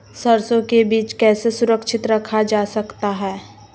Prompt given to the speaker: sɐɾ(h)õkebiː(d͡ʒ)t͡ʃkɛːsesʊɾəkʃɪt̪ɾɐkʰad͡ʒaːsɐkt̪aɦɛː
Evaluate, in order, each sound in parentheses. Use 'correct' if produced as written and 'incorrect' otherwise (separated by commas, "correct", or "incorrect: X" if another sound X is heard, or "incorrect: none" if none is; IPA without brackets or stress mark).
incorrect: s, incorrect: none